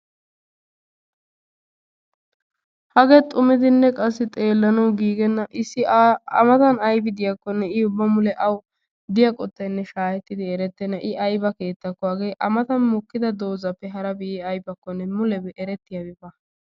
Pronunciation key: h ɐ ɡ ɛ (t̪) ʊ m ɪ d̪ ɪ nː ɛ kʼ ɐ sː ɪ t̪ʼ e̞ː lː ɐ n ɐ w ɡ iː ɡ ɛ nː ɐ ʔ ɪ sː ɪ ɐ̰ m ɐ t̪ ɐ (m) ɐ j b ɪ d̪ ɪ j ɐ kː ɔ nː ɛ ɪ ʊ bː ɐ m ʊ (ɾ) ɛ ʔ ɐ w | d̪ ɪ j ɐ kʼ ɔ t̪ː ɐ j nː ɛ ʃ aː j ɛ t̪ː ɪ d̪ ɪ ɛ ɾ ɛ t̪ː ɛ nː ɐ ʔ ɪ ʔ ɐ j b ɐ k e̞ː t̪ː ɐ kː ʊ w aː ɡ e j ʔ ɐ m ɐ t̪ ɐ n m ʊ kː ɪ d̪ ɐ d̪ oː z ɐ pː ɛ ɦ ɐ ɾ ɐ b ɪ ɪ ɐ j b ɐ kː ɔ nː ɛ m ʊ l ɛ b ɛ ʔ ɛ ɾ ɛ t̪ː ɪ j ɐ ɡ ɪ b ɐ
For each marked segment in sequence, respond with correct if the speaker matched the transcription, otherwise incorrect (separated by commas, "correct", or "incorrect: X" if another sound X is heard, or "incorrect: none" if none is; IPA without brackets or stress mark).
incorrect: t̪ʼ, incorrect: n, incorrect: l